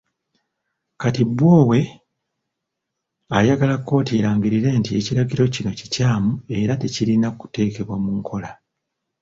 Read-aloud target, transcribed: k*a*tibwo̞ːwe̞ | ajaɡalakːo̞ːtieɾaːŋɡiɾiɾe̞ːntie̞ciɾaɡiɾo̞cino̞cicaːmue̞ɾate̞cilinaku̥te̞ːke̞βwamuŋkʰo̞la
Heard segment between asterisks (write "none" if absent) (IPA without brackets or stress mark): a